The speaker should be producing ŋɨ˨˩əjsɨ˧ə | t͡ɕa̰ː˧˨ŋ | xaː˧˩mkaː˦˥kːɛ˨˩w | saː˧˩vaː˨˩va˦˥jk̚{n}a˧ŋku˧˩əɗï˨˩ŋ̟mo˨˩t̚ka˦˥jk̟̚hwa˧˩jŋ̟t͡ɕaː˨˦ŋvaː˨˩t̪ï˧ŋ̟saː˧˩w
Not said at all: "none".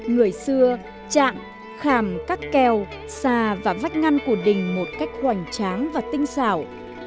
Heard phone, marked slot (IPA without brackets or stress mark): ŋ